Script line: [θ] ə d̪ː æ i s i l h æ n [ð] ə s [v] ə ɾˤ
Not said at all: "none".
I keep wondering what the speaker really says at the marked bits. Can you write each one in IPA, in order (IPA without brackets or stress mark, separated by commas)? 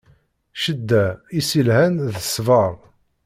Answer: ʃ, ð, v